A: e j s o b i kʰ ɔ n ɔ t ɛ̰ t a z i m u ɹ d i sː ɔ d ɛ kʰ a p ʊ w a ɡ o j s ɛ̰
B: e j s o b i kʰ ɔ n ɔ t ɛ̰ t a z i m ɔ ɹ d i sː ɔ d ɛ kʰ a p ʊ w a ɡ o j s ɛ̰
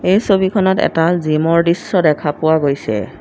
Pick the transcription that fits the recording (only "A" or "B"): B